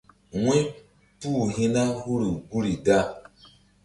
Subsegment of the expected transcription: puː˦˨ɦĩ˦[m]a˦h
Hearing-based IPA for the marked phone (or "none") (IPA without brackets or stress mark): n